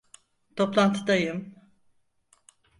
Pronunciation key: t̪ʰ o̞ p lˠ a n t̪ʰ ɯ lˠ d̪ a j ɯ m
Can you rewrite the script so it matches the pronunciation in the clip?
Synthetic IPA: t̪ʰ o̞ p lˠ a n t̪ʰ ɯ d̪ a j ɯ m